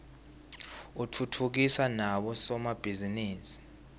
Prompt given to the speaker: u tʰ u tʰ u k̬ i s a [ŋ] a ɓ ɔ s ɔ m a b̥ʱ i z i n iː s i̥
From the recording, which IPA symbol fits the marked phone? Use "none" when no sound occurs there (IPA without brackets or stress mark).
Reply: n